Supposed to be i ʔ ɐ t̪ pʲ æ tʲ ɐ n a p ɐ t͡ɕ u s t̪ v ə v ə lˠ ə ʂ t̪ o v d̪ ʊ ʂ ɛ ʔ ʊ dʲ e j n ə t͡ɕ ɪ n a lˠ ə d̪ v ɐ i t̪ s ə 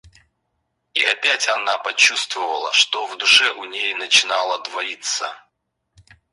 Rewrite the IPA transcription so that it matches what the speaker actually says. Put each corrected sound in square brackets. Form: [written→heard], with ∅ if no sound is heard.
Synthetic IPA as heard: i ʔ ɐ [t̪→∅] pʲ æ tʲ ɐ n a p ɐ t͡ɕ u s t̪ v ə v ə lˠ ə ʂ t̪ o v d̪ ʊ ʂ ɛ ʔ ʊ [dʲ→nʲ] e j n ə t͡ɕ ɪ n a lˠ ə d̪ v ɐ i t̪ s ə